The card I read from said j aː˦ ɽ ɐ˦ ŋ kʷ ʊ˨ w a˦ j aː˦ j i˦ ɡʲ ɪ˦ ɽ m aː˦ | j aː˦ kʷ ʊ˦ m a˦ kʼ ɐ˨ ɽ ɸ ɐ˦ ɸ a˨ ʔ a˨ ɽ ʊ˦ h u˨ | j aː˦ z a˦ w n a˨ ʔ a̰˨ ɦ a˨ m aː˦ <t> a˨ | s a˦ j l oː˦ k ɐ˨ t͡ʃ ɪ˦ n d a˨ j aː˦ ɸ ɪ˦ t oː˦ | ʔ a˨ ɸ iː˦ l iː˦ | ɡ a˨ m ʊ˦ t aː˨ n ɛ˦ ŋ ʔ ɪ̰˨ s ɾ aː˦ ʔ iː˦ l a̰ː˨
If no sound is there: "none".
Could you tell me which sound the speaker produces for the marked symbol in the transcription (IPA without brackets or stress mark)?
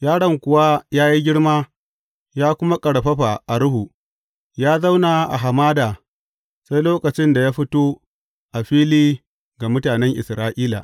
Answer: d